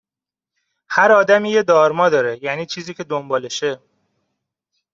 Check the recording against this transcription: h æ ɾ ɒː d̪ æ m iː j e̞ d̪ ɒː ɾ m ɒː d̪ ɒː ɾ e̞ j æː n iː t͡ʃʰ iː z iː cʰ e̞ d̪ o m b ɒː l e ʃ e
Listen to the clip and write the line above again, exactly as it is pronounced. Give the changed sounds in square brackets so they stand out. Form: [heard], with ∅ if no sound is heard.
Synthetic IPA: h æ ɾ ɒː d̪ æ m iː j e̞ d̪ ɒː ɾ m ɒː d̪ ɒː ɾ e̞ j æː n iː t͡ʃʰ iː z iː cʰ e̞ d̪ o m b ɒː l e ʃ e